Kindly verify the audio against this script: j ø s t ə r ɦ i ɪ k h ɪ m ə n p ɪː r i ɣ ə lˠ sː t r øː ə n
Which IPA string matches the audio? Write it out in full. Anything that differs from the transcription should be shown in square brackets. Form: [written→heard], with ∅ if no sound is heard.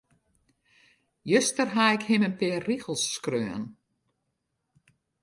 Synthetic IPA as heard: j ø s t ə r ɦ [i→a] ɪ k h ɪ m ə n p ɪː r i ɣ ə lˠ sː [t→k] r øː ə n